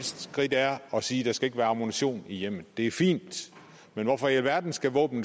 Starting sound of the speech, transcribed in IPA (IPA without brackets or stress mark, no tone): s